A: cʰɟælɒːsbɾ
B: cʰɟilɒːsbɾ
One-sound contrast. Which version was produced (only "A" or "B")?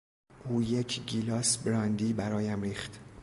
B